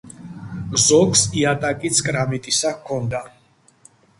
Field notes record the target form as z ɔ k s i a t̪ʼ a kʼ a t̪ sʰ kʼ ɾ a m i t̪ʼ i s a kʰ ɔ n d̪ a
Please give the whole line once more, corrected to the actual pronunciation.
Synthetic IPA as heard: z ɔ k s i a t̪ʼ a kʼ i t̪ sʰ kʼ ɾ a m i t̪ʼ i s a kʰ ɔ n d̪ a